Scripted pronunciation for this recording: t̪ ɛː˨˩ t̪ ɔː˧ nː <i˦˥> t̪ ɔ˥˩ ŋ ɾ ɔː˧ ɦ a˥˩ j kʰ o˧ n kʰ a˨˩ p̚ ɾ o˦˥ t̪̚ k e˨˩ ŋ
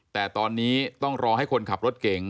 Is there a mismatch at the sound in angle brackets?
yes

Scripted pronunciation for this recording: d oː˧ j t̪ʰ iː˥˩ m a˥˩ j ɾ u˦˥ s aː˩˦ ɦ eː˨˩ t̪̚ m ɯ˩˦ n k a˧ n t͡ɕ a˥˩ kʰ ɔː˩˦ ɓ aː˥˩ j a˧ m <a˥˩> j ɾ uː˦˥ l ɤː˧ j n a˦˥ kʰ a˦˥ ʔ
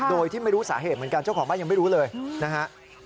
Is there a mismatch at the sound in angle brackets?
no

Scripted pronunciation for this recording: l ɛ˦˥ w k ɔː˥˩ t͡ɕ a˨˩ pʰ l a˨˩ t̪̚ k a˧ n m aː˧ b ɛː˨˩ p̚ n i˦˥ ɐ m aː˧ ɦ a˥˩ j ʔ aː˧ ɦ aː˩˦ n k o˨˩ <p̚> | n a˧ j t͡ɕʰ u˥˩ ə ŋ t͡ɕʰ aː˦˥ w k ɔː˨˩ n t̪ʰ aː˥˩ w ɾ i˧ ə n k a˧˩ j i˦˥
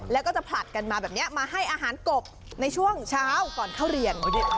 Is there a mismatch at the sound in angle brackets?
no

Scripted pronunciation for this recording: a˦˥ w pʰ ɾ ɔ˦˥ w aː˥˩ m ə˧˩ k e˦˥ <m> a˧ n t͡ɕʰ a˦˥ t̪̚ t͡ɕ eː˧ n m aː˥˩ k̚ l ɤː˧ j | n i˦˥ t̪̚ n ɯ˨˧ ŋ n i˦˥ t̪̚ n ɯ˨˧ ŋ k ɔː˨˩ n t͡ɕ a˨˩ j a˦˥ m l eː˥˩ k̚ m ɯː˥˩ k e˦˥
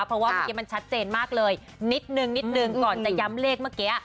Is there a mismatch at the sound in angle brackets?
no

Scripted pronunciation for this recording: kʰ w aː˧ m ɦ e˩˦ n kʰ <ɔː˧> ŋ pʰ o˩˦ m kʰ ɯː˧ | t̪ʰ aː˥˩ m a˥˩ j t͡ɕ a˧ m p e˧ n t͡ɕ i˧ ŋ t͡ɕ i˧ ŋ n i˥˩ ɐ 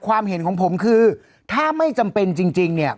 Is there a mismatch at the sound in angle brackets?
yes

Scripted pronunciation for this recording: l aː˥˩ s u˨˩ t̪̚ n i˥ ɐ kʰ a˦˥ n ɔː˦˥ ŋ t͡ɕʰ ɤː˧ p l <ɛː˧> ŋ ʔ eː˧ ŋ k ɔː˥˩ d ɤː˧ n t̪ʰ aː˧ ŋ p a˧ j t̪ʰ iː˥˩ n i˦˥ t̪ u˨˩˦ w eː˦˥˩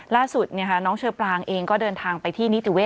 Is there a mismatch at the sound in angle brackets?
yes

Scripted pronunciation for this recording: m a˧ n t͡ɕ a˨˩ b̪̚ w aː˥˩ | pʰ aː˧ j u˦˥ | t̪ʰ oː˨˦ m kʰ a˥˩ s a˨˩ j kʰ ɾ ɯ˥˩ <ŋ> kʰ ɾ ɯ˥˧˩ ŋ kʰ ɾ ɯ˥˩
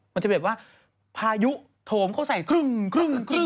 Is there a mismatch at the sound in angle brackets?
no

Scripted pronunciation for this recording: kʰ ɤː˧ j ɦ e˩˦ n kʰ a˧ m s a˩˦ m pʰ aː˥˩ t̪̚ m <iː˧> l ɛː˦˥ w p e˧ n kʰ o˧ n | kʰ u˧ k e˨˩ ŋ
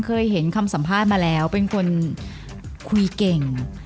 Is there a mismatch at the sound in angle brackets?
yes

